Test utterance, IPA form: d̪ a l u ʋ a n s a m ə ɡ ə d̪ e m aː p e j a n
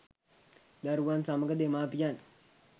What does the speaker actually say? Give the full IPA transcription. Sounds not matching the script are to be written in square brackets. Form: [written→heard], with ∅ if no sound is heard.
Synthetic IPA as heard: d̪ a [l→ɾ] u ʋ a n s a m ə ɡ ə d̪ e m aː p [e→i] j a n